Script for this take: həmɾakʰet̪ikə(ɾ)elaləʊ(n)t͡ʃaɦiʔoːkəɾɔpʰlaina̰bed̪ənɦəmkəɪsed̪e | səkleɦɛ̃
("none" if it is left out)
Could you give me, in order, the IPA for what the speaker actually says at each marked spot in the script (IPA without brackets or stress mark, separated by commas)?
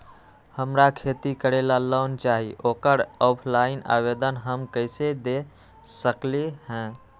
ɾ, n